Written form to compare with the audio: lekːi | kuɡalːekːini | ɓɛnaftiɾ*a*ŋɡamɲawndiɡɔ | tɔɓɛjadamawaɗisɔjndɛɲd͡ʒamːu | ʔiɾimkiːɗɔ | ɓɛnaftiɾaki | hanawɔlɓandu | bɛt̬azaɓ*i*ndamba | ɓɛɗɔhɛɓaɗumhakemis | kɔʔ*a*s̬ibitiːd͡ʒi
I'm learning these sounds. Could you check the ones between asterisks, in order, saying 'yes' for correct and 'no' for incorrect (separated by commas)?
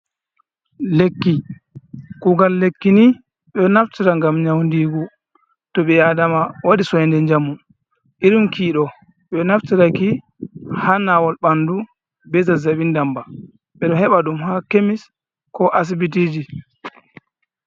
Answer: yes, yes, yes